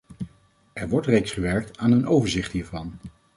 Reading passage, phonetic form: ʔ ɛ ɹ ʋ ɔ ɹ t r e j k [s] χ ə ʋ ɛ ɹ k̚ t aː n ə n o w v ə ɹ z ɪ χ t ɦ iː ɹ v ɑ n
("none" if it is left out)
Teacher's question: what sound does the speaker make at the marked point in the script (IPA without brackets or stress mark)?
s